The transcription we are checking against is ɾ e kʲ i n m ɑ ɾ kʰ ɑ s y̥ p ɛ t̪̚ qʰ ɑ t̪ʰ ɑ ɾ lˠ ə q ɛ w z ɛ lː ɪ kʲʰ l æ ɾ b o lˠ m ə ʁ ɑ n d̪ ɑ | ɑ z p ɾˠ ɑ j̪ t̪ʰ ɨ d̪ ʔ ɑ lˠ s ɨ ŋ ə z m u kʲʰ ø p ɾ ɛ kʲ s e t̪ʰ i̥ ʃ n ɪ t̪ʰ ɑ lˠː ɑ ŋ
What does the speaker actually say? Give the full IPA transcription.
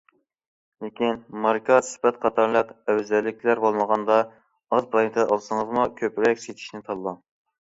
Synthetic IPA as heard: l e kʲ i n m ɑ ɾ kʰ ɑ s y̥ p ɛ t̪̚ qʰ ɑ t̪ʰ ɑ ɾ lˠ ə q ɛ w z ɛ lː ɪ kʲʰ l æ ɾ b o lˠ m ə ʁ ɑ n d̪ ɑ | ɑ z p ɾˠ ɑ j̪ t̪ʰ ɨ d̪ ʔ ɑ lˠ s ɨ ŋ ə z m u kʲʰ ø p ɾ ɛ kʲ s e t̪ʰ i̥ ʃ n ɪ t̪ʰ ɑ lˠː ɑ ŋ